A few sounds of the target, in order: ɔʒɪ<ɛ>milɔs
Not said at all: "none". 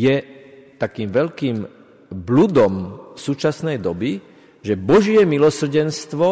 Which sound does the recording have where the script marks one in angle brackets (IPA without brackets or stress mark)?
ɛ